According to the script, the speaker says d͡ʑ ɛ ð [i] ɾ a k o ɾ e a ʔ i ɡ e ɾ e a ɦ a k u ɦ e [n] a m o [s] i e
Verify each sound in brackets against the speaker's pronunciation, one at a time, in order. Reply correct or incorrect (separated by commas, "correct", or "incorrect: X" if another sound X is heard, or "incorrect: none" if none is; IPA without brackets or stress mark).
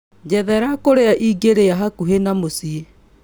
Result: incorrect: ɛ, correct, correct